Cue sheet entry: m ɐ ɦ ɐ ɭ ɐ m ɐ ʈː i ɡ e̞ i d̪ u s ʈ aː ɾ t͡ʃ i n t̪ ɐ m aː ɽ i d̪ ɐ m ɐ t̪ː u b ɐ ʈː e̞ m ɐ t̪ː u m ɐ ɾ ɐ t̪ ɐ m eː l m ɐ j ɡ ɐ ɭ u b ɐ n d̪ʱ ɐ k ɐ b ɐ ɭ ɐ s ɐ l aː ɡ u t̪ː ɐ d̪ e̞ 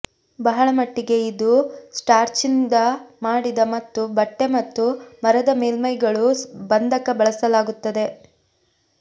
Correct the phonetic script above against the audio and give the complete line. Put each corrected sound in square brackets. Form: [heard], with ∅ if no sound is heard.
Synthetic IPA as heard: [b] ɐ ɦ ɐ ɭ ɐ m ɐ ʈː i ɡ e̞ i d̪ u s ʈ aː ɾ t͡ʃ i n [d̪] ɐ m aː ɽ i d̪ ɐ m ɐ t̪ː u b ɐ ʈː e̞ m ɐ t̪ː u m ɐ ɾ ɐ [d̪] ɐ m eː l m ɐ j ɡ ɐ ɭ u b ɐ n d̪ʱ ɐ k ɐ b ɐ ɭ ɐ s ɐ l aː ɡ u t̪ː ɐ d̪ e̞

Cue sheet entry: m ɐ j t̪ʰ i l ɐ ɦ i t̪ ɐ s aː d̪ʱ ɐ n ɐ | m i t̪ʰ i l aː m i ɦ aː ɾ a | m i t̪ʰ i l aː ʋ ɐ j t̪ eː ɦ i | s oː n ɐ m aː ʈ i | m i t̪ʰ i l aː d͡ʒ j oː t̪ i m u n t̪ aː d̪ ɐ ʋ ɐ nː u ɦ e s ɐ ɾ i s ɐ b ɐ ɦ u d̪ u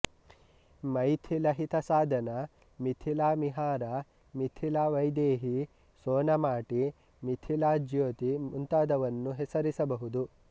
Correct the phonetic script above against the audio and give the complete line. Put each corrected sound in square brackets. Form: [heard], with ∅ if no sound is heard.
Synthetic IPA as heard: m ɐ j t̪ʰ i l ɐ ɦ i t̪ ɐ s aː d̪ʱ ɐ n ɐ | m i t̪ʰ i l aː m i ɦ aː ɾ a | m i t̪ʰ i l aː ʋ ɐ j [d̪] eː ɦ i | s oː n ɐ m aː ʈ i | m i t̪ʰ i l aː d͡ʒ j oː t̪ i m u n t̪ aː d̪ ɐ ʋ ɐ nː u ɦ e s ɐ ɾ i s ɐ b ɐ ɦ u d̪ u

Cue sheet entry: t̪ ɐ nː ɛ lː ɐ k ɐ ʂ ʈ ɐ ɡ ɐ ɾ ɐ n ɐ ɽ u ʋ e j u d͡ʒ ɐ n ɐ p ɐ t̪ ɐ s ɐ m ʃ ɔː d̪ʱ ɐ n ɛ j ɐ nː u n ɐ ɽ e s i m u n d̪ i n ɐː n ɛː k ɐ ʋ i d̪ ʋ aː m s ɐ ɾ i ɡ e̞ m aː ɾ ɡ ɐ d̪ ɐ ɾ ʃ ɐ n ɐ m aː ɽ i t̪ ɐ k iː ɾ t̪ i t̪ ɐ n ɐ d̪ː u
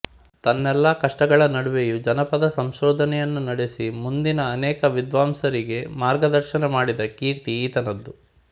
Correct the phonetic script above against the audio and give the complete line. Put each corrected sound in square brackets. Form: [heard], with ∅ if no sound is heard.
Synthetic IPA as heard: t̪ ɐ nː ɛ lː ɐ k ɐ ʂ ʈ ɐ ɡ ɐ [ɭ] ɐ n ɐ ɽ u ʋ e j u d͡ʒ ɐ n ɐ p ɐ [d̪] ɐ s ɐ m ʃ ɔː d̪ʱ ɐ n ɛ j ɐ nː u n ɐ ɽ e s i m u n d̪ i n ɐː n ɛː k ɐ ʋ i d̪ ʋ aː m s ɐ ɾ i ɡ e̞ m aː ɾ ɡ ɐ d̪ ɐ ɾ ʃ ɐ n ɐ m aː ɽ i [d̪] ɐ k iː ɾ t̪ [iː] t̪ ɐ n ɐ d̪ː u

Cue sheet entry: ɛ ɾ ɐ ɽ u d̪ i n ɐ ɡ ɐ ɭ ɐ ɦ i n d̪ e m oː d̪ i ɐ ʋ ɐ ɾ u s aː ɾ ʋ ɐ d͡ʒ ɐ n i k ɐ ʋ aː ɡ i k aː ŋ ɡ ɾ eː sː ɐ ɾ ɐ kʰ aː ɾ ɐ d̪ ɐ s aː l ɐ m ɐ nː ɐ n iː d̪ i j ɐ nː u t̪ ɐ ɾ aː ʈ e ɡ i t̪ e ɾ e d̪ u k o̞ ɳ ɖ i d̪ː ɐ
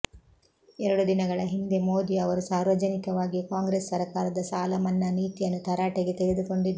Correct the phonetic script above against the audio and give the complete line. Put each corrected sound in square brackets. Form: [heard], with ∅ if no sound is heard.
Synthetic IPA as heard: ɛ ɾ ɐ ɽ u d̪ i n ɐ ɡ ɐ ɭ ɐ ɦ i n d̪ e m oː d̪ i ɐ ʋ ɐ ɾ u s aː ɾ ʋ ɐ d͡ʒ ɐ n i k ɐ ʋ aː ɡ i k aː ŋ ɡ ɾ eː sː ɐ ɾ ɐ [k] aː ɾ ɐ d̪ ɐ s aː l ɐ m ɐ nː ɐ n iː [t̪] i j ɐ nː u t̪ ɐ ɾ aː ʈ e ɡ [e] t̪ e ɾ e d̪ u k o̞ ɳ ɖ i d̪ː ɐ

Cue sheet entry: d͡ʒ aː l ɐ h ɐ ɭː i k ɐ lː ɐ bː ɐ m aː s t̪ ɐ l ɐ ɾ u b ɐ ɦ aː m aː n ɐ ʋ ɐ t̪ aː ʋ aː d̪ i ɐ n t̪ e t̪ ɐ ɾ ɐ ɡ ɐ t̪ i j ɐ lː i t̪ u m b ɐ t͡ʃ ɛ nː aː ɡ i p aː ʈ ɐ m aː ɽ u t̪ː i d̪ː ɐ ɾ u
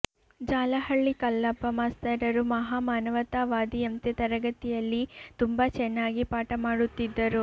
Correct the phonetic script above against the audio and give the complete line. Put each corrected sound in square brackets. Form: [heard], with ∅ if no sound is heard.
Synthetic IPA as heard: d͡ʒ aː l ɐ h ɐ ɭː i k ɐ lː ɐ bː ɐ m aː s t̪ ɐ [ɾ] ɐ ɾ u [m] ɐ ɦ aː m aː n ɐ ʋ ɐ t̪ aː ʋ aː d̪ i ɐ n t̪ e t̪ ɐ ɾ ɐ ɡ ɐ t̪ i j ɐ lː i t̪ u m b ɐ t͡ʃ ɛ nː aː ɡ i p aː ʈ ɐ m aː ɽ u t̪ː i d̪ː ɐ ɾ u

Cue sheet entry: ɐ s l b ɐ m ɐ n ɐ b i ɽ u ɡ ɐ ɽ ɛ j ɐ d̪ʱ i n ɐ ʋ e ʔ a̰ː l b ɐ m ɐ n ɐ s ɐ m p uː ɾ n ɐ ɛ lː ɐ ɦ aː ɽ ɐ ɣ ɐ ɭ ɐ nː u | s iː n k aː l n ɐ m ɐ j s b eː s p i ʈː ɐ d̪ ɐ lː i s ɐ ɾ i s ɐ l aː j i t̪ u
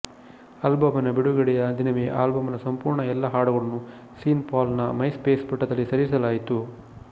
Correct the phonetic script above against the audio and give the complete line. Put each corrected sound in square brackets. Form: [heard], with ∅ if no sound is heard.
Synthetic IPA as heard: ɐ [∅] l b ɐ m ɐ n ɐ b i ɽ u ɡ ɐ ɽ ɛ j ɐ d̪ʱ i n ɐ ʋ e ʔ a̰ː l b ɐ m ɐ n ɐ s ɐ m p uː ɾ [ɳ] ɐ ɛ lː ɐ ɦ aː ɽ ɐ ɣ ɐ ɭ ɐ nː u | s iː n [p] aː l n ɐ m ɐ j s [p] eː s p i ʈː ɐ d̪ ɐ lː i s ɐ ɾ i s ɐ l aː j i t̪ u

